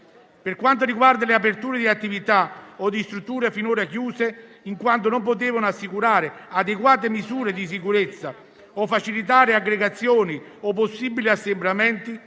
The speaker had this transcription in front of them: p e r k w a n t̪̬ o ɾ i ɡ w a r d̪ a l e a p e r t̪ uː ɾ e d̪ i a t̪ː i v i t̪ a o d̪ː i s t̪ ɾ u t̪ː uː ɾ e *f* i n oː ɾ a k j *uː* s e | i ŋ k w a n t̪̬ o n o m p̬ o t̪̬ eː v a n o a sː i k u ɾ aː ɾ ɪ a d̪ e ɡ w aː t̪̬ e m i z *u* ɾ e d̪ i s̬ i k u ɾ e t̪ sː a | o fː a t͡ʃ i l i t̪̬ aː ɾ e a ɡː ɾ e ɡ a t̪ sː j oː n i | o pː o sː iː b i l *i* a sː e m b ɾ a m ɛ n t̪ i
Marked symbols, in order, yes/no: yes, yes, no, yes

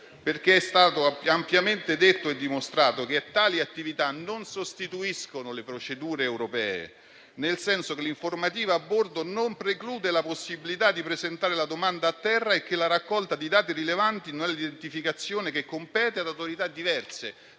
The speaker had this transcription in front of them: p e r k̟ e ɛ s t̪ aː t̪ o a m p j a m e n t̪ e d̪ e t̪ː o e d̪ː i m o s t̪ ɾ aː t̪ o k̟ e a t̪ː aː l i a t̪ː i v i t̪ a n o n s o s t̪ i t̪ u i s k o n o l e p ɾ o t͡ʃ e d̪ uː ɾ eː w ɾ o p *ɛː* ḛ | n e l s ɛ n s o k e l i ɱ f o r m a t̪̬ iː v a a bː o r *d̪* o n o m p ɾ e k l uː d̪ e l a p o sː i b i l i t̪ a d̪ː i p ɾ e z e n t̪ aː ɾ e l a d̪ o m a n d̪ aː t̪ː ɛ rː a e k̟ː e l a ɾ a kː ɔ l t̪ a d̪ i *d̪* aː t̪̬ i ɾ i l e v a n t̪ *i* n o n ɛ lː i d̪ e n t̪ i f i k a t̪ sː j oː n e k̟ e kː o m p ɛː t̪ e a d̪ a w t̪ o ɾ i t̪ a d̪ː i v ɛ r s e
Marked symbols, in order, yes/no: yes, yes, yes, yes

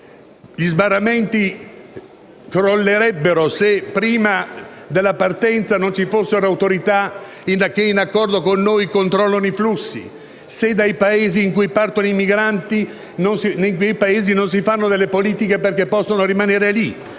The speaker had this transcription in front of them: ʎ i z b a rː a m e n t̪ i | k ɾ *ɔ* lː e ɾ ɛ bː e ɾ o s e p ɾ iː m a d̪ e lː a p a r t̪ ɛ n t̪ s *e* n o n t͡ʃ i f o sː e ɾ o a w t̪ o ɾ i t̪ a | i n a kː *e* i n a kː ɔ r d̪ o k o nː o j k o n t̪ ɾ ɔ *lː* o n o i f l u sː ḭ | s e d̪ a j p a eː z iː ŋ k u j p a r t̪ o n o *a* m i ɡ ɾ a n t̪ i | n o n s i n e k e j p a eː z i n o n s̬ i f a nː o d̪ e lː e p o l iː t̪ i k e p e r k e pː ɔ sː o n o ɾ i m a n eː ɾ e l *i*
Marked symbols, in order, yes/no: no, no, yes, yes, no, yes

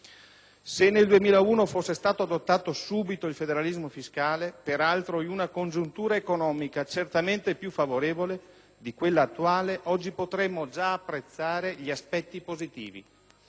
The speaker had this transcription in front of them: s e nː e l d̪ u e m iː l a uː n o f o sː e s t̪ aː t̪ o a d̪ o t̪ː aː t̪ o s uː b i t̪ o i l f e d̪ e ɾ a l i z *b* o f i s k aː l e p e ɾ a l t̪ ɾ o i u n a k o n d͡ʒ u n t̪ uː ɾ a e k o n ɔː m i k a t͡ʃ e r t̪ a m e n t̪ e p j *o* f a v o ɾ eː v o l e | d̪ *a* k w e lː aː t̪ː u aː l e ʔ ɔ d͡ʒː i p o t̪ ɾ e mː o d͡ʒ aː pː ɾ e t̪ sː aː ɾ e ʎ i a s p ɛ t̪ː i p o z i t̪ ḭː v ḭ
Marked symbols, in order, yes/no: no, no, no

